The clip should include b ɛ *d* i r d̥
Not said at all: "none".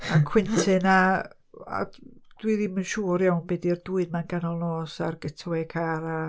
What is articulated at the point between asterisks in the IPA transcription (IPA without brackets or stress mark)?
d